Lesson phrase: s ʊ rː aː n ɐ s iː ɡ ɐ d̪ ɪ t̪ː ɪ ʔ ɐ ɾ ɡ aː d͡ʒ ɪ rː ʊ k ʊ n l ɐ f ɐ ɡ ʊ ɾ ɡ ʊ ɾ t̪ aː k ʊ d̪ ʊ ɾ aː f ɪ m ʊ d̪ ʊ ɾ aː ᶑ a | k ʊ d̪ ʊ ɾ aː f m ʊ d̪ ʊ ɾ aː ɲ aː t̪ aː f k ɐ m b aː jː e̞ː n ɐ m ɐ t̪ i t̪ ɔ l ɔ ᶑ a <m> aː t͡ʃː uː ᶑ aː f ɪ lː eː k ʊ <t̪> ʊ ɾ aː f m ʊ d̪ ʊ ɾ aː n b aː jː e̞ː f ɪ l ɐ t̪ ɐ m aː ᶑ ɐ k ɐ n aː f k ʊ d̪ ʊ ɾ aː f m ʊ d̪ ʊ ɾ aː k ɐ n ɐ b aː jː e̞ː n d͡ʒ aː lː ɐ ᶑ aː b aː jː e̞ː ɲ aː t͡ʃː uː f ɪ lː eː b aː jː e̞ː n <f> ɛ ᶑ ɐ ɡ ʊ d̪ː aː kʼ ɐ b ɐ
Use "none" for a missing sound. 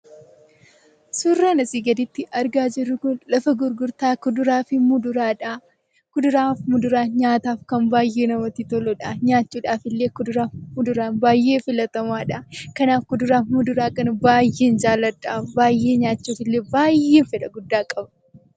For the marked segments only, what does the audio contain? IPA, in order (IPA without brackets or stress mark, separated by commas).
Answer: ɲ, d̪, f